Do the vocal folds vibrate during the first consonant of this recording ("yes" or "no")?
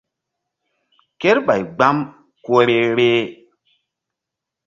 no